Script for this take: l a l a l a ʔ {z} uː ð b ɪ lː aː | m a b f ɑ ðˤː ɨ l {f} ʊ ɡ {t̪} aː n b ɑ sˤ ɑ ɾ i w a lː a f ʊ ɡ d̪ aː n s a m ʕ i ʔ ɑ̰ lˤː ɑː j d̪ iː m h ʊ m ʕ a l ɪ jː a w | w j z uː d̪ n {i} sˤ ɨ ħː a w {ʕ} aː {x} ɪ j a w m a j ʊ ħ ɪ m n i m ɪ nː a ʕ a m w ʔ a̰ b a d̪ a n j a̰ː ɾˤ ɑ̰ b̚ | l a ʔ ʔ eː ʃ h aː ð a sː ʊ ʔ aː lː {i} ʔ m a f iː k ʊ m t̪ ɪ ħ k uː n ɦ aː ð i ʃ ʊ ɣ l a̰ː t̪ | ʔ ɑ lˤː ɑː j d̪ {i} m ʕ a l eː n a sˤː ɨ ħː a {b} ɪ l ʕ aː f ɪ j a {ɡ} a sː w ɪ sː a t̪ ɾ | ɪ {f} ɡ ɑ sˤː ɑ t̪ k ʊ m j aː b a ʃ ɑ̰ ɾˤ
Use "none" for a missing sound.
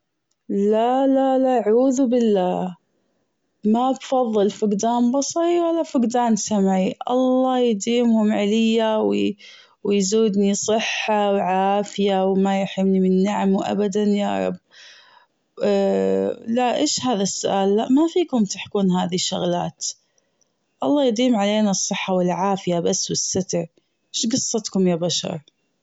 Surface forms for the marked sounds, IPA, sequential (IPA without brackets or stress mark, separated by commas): ʕ, f, d̪, i, ʕ, f, a, iː, w, b, ʃ